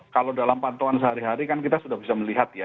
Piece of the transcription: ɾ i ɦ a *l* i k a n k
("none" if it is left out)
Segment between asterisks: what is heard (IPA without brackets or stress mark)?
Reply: ɾ